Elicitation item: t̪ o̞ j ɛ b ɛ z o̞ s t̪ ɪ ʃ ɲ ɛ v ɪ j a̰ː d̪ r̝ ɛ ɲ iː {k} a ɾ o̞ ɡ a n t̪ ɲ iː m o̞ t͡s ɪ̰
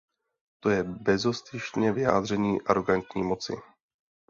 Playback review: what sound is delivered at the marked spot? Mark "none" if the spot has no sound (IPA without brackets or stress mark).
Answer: ʔ